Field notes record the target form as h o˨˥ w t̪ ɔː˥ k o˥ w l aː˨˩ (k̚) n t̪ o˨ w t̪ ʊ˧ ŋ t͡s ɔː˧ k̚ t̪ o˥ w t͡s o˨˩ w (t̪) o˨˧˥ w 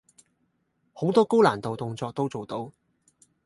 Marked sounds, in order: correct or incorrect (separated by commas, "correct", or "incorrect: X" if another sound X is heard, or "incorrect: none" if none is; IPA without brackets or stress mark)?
incorrect: none, correct